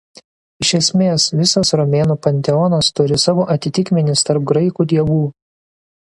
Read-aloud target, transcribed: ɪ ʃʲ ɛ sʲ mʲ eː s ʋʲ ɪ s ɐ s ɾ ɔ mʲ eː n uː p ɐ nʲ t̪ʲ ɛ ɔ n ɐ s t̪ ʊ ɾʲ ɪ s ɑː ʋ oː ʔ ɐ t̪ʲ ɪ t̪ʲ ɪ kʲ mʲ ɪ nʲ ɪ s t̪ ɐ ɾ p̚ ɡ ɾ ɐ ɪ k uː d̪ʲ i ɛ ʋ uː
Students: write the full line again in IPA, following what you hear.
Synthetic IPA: ɪ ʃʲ ɛ sʲ mʲ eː s ʋʲ ɪ s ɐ s ɾ ɔ mʲ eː n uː p ɐ nʲ t̪ʲ ɛ ɔ n ɐ s t̪ ʊ ɾʲ ɪ s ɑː ʋ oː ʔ ɐ t̪ʲ ɪ t̪ʲ ɪ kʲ mʲ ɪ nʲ ɪ s t̪ ɐ ɾ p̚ ɡ ɾ ɐ ɪ k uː d̪ʲ i ɛ ʋ uː